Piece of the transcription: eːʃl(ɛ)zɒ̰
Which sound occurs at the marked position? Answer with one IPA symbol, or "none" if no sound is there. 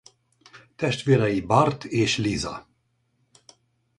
i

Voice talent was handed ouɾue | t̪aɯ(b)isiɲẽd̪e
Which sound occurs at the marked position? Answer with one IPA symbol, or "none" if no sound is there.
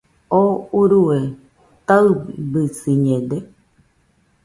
b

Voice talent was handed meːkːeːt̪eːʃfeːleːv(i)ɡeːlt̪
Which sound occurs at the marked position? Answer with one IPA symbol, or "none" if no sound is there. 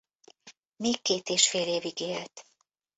i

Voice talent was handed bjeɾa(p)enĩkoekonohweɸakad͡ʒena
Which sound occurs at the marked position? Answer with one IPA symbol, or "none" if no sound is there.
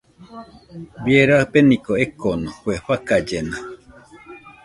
p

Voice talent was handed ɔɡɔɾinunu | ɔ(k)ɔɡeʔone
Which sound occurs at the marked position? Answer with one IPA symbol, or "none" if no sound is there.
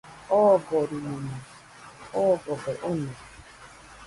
ɡ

